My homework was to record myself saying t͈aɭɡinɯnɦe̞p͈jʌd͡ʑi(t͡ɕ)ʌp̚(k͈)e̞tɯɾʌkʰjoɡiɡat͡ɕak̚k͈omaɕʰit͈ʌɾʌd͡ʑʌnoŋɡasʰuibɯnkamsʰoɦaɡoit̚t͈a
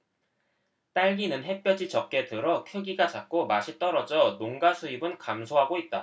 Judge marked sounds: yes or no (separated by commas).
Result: yes, yes